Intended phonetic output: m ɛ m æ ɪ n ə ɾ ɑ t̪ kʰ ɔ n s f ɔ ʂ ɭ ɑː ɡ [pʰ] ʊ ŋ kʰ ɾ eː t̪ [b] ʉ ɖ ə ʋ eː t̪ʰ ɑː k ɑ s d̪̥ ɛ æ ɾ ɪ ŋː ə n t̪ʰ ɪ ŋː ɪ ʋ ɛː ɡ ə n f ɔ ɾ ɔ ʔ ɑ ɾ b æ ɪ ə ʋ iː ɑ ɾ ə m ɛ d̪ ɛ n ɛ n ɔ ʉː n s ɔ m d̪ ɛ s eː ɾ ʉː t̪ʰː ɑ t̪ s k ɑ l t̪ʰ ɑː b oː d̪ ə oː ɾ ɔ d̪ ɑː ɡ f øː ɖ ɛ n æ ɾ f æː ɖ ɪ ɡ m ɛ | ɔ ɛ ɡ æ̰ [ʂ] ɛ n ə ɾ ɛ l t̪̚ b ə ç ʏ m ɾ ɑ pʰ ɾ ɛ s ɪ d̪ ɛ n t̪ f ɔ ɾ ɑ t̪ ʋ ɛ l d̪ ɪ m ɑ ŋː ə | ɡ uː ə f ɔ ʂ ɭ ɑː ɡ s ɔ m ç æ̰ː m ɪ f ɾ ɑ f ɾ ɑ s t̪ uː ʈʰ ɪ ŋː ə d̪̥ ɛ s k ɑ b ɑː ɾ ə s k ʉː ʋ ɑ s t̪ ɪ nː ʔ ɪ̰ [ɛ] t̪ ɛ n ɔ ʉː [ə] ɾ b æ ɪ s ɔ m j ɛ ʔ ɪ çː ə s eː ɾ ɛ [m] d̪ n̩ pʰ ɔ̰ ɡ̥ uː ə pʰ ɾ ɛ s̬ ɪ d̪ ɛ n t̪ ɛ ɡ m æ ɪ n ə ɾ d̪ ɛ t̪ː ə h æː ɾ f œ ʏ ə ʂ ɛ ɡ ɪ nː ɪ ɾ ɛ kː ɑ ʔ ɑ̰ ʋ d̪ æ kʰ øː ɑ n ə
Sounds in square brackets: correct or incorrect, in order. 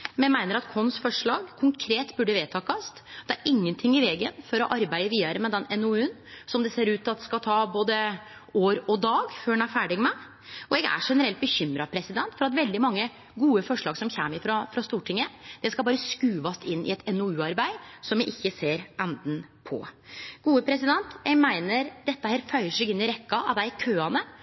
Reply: incorrect: kʰ, correct, correct, correct, incorrect: ɑ, incorrect: n

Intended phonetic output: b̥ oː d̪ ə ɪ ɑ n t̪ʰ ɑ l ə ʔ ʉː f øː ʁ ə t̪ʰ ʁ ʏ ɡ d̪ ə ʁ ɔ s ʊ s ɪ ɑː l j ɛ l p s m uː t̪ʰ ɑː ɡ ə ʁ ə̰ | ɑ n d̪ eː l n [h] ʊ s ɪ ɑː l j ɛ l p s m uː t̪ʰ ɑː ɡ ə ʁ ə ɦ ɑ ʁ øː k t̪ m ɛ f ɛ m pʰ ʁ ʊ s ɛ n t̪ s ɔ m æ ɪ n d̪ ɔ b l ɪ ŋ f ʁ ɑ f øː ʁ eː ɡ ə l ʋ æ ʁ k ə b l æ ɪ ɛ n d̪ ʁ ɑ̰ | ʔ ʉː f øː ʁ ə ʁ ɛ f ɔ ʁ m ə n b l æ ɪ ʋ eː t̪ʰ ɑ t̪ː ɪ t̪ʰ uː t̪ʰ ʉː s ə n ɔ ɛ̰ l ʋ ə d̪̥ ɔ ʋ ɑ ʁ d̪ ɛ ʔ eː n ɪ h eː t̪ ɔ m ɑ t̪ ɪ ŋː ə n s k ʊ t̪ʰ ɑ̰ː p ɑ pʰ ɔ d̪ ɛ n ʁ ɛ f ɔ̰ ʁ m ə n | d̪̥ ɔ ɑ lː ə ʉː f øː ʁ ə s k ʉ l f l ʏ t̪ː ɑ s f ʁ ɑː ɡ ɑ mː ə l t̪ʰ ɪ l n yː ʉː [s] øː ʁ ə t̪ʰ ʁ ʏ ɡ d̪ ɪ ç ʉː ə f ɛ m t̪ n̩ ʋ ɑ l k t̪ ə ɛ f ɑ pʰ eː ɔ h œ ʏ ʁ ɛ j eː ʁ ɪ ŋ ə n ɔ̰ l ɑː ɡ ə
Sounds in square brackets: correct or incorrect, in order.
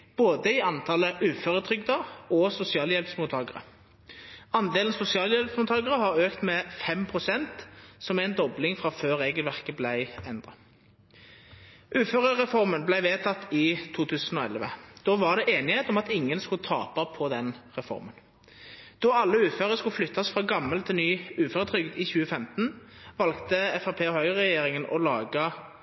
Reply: incorrect: s, incorrect: f

